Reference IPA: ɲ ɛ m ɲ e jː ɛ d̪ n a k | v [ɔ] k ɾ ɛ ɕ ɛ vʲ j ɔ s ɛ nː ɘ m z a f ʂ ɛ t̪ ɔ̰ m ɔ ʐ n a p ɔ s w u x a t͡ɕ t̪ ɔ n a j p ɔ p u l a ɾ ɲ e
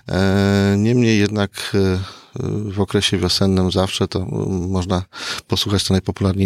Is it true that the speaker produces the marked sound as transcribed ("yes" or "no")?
yes